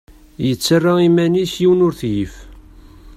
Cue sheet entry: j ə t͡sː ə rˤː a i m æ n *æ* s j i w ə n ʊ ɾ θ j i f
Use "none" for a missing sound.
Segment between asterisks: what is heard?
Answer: i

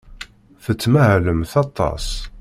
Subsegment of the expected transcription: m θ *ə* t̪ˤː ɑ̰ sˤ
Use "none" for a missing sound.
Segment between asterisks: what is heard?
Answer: ɑ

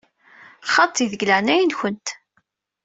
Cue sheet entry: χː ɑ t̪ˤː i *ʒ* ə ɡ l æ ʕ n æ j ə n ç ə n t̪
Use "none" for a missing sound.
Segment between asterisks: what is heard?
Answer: ð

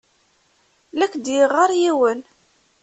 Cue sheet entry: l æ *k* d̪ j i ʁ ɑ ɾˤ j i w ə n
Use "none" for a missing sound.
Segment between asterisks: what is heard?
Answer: k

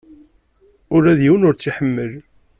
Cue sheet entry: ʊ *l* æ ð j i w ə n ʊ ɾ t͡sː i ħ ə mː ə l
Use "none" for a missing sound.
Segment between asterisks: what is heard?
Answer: ɾ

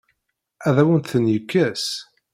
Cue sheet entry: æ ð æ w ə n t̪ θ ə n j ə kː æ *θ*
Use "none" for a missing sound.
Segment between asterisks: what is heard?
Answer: s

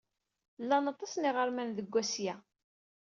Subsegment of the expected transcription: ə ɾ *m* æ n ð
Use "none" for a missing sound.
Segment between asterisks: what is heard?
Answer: m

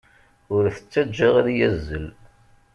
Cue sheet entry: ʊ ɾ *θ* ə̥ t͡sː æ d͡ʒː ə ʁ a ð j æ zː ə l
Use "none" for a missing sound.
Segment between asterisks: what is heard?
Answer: θ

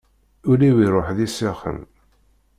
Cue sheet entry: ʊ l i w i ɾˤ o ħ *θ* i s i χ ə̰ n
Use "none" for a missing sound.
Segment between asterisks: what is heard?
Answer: ð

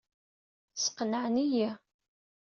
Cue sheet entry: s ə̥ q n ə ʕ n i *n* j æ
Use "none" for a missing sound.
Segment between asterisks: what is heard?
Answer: none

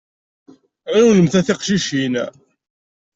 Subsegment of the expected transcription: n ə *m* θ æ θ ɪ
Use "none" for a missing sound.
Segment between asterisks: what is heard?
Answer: m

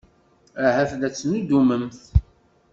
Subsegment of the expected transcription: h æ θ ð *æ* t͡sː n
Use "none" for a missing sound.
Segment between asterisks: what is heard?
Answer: æ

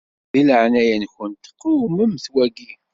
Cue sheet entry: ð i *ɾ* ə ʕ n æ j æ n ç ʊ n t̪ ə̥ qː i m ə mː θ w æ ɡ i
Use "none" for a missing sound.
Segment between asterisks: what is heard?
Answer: l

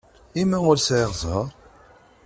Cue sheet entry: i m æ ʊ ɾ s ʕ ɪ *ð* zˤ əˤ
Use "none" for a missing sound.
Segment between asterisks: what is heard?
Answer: ʁ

